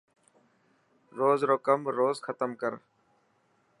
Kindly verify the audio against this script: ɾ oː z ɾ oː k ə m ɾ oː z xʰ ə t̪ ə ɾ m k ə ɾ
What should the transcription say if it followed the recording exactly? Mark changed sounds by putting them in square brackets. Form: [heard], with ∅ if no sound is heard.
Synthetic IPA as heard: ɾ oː z ɾ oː k ə m ɾ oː z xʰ ə t̪ ə [∅] m k ə ɾ